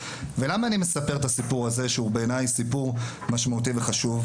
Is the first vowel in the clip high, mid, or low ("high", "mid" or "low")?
mid